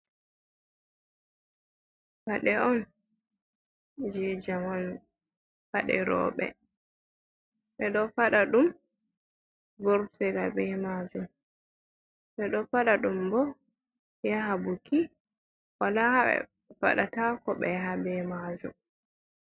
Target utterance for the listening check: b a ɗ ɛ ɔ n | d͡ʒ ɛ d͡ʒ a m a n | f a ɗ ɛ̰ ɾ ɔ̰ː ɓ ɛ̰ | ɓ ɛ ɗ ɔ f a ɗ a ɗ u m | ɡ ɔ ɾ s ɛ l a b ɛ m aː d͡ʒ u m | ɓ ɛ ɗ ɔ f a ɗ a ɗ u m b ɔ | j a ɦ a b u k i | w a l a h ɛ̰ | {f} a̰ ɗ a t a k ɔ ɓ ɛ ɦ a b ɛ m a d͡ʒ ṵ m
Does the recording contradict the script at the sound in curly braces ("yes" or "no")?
no